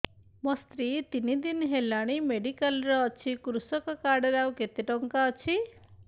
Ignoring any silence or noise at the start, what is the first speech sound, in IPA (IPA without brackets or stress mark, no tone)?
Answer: m